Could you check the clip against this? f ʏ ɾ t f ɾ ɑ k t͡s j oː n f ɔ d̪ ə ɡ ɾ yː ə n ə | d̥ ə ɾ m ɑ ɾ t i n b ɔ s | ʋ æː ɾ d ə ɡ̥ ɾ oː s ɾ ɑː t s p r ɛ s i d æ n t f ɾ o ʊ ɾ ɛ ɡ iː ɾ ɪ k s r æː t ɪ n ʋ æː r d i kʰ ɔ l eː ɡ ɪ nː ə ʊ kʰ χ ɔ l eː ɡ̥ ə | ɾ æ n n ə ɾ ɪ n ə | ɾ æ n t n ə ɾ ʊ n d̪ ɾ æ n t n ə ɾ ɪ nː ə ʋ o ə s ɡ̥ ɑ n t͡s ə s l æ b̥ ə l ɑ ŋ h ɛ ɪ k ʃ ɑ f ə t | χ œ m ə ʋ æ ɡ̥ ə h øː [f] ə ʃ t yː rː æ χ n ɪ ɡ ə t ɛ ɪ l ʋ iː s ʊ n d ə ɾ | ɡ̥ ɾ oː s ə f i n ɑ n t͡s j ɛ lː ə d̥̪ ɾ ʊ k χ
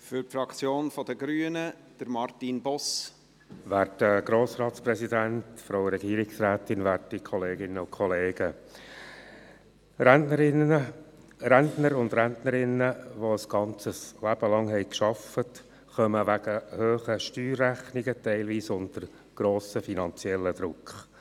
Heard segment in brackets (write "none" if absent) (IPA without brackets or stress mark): χ